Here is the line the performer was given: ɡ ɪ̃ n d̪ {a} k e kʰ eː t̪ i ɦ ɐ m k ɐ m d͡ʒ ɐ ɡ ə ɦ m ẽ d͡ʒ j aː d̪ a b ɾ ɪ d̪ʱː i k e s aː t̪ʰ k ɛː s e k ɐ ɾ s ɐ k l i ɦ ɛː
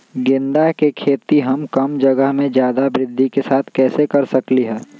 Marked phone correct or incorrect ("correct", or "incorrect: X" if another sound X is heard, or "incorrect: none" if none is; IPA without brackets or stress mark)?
correct